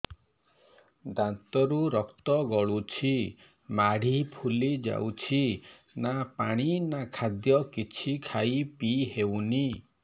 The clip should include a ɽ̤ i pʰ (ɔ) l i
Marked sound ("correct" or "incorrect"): incorrect